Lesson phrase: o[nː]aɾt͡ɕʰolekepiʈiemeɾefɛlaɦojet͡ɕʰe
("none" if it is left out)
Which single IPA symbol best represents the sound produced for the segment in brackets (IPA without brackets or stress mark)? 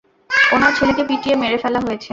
n